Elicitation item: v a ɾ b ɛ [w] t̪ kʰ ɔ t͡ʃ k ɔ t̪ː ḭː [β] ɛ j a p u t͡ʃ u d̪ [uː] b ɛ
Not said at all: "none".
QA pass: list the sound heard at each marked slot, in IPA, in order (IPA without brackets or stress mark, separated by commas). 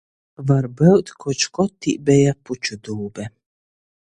w, b, uː